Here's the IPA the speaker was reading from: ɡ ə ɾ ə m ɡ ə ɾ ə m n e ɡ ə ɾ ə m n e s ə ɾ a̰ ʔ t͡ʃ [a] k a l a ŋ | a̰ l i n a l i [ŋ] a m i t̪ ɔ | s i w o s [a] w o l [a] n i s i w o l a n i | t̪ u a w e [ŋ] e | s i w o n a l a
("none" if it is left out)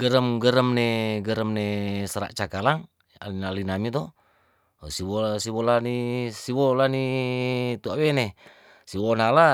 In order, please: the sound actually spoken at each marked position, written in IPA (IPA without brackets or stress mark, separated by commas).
a, n, i, a, n